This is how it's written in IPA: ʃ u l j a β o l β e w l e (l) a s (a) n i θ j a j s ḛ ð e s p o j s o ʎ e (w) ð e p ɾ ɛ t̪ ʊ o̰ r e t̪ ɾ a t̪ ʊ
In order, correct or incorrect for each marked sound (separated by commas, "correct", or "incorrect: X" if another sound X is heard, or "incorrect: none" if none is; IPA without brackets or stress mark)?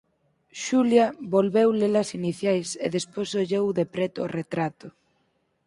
correct, incorrect: i, correct